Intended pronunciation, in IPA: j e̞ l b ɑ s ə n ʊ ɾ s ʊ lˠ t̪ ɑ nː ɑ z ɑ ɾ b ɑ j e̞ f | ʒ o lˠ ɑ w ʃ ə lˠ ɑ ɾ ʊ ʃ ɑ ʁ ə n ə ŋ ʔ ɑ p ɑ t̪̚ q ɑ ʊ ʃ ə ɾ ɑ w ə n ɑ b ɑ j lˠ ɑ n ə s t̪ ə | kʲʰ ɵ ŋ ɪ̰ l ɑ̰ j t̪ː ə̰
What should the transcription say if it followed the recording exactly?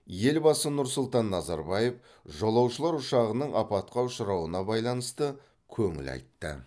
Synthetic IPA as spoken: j e̞ l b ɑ s ə n ʊ ɾ s ʊ lˠ t̪ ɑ nː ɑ z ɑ ɾ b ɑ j e̞ f | ʒ o lˠ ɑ w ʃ ə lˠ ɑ ɾ ʊ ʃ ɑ ʁ ə n ə ɴ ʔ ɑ p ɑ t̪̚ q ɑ ʊ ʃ ə ɾ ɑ w ə n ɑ b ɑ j lˠ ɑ n ə s t̪ ə | kʲʰ ɵ ŋ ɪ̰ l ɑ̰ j t̪ː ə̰